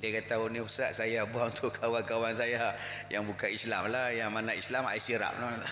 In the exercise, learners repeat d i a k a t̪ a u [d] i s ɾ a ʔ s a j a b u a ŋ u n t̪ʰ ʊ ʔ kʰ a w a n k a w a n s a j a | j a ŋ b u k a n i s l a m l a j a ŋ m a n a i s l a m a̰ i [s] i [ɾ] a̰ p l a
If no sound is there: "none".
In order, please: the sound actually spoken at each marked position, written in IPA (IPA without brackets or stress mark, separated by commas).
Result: n, s, ɾ